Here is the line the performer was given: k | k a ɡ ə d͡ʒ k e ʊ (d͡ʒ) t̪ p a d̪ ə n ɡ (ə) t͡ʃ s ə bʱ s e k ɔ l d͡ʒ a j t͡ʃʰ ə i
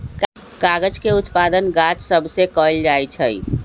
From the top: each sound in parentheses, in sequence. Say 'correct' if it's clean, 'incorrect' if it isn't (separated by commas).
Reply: incorrect, incorrect